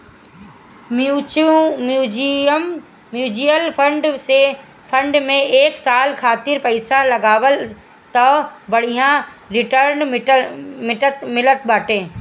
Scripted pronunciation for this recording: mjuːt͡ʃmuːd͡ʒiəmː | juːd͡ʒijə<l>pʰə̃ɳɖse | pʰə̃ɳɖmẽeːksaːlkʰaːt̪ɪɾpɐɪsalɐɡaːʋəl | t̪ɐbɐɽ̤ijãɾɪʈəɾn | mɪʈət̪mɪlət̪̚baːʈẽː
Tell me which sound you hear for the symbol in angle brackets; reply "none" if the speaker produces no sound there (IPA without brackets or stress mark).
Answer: l